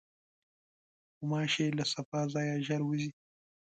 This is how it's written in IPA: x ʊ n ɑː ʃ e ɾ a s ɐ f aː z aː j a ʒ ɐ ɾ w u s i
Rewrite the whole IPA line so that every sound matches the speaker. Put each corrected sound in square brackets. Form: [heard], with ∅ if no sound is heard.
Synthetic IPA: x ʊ [m] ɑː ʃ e [l] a s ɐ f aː z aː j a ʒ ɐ ɾ w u [z] i